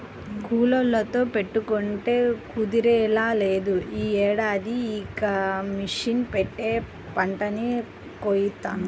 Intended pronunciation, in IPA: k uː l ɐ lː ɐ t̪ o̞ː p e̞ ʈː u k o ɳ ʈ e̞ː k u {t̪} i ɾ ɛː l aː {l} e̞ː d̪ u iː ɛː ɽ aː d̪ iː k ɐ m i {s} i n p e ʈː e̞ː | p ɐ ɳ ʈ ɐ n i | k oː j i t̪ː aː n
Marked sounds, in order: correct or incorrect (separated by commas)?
incorrect, correct, incorrect